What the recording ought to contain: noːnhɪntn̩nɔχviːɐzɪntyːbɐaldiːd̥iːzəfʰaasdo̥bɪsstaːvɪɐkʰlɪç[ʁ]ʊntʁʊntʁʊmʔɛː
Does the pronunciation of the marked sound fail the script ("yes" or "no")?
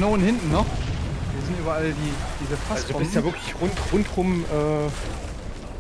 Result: no